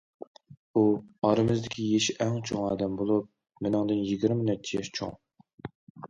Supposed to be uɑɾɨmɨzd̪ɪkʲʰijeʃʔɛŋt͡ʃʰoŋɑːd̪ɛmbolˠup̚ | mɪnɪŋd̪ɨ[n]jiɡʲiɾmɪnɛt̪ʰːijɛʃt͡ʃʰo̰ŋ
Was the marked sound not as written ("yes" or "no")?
no